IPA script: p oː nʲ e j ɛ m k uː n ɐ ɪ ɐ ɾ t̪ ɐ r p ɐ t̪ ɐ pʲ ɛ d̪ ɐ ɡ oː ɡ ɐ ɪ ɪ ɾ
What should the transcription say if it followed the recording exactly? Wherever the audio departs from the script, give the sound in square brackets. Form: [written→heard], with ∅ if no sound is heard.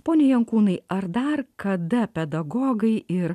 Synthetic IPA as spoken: p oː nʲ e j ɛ [m→ŋ] k uː n ɐ ɪ ɐ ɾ [t̪→d̪] ɐ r [p→k] ɐ [t̪→d̪] ɐ pʲ ɛ d̪ ɐ ɡ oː ɡ ɐ ɪ ɪ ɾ